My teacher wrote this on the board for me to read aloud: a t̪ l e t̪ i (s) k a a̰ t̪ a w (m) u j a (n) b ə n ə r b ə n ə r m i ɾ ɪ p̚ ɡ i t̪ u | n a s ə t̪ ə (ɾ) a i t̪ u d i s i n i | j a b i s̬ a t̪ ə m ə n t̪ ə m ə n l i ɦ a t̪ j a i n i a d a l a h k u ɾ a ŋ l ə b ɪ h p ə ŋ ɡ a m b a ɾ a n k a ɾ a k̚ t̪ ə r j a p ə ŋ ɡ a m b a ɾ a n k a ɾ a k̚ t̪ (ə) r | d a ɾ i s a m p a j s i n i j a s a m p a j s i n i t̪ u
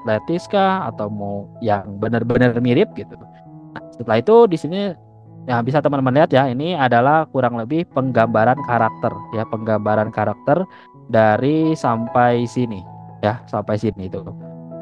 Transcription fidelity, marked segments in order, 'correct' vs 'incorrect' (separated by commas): correct, correct, incorrect, incorrect, correct